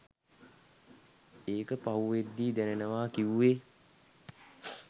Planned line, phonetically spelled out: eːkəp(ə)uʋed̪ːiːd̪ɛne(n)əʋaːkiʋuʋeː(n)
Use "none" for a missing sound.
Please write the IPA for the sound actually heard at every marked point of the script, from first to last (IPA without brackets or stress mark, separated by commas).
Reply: a, n, none